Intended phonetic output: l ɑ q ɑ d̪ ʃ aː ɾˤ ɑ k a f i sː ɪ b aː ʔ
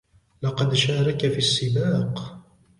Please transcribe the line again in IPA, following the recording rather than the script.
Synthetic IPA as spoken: l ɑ q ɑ d̪ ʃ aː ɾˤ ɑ k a f i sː ɪ b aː q